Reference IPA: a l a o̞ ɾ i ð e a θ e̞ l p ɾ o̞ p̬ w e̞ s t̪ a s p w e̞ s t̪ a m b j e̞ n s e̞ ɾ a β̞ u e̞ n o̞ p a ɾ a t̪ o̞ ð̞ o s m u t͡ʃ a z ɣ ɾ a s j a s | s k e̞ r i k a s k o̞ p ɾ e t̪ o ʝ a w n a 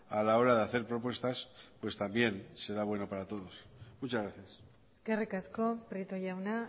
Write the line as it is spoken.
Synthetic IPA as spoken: a l a o̞ ɾ a ð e a θ e̞ ɾ p ɾ o̞ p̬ w e̞ s t̪ a s p w e̞ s t̪ a m b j e̞ n s e̞ ɾ a β̞ w e̞ n o̞ p a ɾ a t̪ o̞ ð̞ o s m u t͡ʃ a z ɣ ɾ a θ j a s | s k e̞ r i k a s k o̞ p ɾ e t̪ o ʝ a w n a